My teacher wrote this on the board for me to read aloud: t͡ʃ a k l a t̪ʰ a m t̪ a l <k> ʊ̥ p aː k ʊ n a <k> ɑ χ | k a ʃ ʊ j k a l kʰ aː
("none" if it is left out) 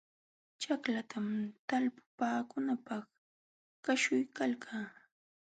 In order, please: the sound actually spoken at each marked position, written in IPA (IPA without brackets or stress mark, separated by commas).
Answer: p, p